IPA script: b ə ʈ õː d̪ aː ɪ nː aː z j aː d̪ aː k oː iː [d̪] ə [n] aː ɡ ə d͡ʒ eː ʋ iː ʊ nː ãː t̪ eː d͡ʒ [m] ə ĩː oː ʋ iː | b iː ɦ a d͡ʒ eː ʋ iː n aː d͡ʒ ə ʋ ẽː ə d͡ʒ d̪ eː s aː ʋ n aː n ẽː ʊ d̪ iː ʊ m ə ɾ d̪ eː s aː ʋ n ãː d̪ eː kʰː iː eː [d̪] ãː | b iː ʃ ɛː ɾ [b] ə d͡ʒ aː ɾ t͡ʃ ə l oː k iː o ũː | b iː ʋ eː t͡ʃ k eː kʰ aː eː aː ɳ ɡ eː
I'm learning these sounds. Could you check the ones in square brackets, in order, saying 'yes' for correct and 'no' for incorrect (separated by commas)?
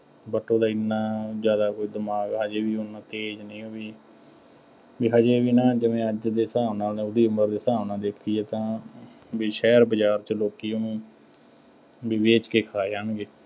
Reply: yes, no, no, no, yes